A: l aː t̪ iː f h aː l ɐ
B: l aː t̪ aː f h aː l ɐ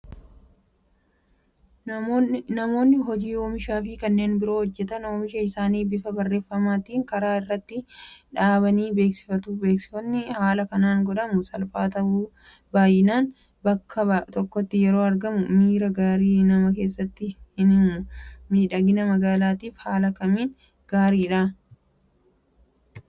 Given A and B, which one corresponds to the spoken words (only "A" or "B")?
A